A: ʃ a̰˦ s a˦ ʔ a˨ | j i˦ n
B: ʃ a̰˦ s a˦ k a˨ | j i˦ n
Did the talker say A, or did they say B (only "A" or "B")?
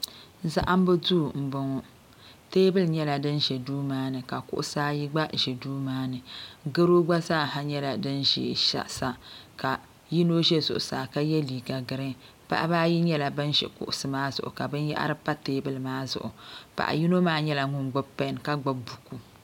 B